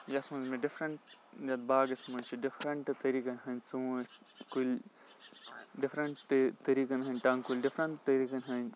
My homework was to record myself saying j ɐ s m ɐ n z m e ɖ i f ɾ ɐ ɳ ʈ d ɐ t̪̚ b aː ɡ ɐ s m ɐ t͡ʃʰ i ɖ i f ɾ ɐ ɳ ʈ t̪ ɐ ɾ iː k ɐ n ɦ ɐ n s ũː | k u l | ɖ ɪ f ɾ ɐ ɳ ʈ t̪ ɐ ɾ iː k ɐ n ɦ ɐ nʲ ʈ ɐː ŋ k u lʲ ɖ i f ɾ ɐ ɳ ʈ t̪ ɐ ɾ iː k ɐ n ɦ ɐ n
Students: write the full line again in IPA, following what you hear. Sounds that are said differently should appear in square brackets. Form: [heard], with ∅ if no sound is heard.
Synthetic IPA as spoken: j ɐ s m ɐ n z m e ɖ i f ɾ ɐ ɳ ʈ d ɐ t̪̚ b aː ɡ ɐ s m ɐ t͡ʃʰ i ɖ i f ɾ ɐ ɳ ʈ t̪ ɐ ɾ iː k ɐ n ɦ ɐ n s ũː | k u l | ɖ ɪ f ɾ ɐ ɳ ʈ t̪ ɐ ɾ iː k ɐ n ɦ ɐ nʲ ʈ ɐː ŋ k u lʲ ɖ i f ɾ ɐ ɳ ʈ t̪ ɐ ɾ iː k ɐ n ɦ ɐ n